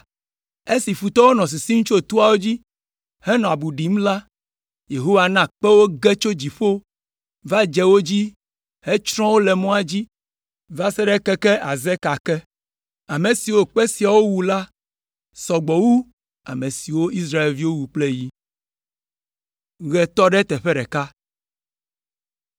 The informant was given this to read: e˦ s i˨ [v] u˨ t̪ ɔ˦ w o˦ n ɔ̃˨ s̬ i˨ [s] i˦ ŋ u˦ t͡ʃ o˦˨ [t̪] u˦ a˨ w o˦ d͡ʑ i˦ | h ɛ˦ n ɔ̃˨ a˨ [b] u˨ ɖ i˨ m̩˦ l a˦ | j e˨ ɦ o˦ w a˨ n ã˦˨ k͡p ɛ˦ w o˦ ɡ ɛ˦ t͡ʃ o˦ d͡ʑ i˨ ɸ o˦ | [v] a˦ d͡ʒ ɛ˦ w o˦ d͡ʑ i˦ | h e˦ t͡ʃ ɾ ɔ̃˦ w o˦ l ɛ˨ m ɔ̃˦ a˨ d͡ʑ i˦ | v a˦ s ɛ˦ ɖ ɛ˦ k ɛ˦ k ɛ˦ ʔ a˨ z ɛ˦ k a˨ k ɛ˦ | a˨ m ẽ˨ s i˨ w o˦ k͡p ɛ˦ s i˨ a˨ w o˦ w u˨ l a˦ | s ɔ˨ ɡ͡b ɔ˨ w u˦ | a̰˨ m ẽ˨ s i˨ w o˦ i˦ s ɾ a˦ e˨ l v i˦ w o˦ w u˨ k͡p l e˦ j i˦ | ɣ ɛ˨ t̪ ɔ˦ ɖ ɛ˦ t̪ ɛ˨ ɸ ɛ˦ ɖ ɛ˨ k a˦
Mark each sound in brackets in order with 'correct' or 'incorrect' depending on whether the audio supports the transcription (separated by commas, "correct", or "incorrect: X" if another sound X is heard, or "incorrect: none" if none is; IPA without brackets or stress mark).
incorrect: f, correct, correct, correct, correct